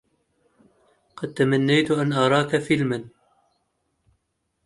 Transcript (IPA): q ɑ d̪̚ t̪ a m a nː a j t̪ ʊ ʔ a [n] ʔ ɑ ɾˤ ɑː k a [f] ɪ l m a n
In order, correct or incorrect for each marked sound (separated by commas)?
correct, correct